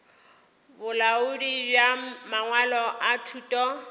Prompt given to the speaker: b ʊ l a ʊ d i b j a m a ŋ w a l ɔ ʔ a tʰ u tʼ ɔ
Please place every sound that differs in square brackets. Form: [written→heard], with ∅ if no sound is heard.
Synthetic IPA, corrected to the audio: b ʊ l a ʊ d i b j a m a ŋ w a l ɔ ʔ a tʰ u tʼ ɔ